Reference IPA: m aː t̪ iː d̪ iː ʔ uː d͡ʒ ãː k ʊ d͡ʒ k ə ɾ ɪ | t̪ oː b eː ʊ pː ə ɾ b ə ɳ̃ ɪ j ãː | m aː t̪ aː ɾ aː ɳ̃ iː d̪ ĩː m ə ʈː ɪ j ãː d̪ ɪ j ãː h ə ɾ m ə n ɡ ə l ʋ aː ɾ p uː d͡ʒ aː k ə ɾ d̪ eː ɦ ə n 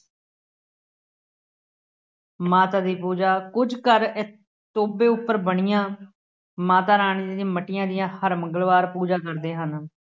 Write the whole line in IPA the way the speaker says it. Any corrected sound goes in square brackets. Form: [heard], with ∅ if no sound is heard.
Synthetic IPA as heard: m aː t̪ [aː] d̪ iː [p] uː d͡ʒ [aː] k ʊ d͡ʒ k ə ɾ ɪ | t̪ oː b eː ʊ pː ə ɾ b ə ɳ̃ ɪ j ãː | m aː t̪ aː ɾ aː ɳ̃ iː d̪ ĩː m ə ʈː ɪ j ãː d̪ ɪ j ãː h ə ɾ m ə [ŋ] ɡ ə l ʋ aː ɾ p uː d͡ʒ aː k ə ɾ d̪ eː ɦ ə n